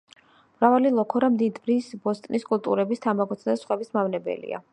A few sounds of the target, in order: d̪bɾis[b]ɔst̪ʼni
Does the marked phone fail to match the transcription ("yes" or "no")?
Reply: no